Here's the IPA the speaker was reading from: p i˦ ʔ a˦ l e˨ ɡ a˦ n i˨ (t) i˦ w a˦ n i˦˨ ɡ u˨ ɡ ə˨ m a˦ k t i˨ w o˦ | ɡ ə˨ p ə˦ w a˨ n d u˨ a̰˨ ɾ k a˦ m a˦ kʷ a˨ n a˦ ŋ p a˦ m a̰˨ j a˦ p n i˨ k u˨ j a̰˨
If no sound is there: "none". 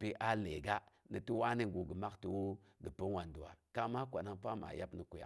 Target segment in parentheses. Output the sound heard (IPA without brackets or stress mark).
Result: t